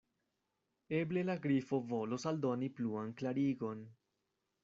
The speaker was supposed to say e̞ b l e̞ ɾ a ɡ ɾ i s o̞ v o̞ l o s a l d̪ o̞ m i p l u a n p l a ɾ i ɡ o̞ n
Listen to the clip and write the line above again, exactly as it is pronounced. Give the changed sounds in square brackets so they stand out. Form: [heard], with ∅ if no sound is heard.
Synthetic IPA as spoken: e̞ b l e̞ [l] a ɡ ɾ i [f] o̞ v o̞ l o s a l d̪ o̞ [n] i p l u a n [k] l a ɾ i ɡ o̞ n